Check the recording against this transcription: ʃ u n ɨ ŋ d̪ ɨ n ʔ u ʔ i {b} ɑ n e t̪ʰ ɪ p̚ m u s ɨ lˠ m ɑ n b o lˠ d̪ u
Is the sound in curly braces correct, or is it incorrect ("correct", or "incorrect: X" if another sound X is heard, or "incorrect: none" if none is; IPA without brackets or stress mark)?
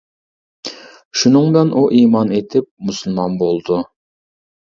incorrect: m